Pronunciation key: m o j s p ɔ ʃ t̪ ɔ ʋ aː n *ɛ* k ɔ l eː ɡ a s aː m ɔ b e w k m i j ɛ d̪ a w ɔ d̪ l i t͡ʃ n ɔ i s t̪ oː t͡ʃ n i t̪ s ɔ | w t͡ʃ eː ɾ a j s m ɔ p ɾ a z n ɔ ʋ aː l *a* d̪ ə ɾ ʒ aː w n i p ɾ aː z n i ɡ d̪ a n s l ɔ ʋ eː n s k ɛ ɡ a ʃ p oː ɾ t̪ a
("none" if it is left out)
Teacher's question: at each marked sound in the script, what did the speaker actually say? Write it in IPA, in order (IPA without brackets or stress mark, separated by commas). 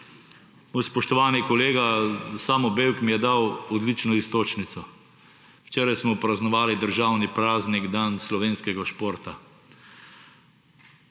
i, i